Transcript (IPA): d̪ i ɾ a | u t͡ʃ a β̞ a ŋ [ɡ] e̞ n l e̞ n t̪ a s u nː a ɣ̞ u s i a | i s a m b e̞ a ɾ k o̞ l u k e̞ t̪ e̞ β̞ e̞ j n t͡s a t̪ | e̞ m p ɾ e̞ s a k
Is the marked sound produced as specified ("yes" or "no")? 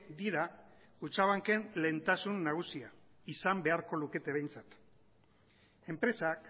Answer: no